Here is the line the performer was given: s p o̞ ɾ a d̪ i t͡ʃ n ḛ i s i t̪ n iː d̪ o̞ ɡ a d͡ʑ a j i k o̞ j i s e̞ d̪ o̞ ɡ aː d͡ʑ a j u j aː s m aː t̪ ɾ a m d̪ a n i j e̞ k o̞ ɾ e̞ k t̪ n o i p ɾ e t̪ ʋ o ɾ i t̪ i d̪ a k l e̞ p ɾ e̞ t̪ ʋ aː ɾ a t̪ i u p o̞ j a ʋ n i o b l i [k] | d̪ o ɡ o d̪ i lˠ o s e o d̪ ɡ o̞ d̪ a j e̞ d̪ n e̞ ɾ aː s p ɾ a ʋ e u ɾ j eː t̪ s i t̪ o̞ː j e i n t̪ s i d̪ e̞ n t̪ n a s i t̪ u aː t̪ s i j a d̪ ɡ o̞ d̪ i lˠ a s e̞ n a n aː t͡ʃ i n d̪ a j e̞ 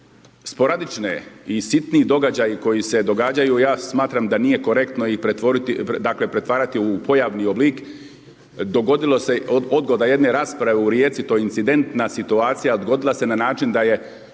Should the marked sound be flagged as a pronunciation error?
no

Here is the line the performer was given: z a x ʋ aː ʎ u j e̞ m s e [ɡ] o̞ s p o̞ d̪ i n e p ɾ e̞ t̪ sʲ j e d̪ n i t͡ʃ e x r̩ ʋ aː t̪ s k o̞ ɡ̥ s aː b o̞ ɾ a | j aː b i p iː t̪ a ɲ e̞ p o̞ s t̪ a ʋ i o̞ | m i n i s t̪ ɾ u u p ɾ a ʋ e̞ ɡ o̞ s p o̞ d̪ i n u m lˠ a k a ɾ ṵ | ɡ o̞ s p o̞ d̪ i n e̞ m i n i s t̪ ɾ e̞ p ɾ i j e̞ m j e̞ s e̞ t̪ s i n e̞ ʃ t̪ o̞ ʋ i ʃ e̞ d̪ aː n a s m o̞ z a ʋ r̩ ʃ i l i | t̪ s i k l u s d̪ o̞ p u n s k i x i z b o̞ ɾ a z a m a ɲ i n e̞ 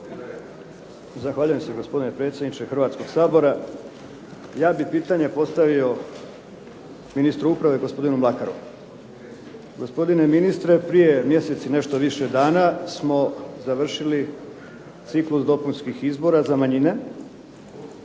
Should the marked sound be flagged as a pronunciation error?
no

